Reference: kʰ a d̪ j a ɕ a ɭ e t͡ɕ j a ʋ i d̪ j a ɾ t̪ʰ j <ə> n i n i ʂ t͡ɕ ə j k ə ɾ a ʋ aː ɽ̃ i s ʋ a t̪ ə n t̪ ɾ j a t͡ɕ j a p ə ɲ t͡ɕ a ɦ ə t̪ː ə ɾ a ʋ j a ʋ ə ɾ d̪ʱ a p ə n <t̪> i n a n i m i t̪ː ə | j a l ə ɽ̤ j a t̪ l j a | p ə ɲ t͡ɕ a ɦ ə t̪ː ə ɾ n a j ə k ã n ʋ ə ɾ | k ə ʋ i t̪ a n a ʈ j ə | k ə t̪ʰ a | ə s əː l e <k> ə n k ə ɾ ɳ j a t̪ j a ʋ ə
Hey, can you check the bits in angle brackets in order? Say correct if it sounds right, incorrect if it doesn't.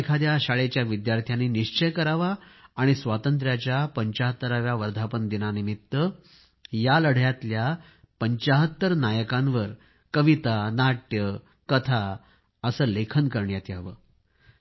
incorrect: a, incorrect: d̪, incorrect: kʰ

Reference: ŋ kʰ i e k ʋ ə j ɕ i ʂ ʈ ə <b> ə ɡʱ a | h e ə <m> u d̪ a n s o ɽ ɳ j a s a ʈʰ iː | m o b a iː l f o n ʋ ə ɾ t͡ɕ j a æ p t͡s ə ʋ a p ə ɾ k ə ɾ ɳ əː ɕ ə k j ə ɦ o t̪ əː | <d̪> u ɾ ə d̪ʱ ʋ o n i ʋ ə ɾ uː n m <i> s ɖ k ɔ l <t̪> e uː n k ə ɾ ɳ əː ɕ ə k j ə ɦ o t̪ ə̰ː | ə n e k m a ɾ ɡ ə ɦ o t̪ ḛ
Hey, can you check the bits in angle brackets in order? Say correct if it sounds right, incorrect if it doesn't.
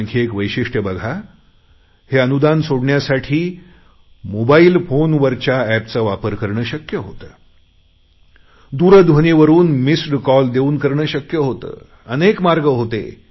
correct, incorrect: n, correct, correct, incorrect: d̪

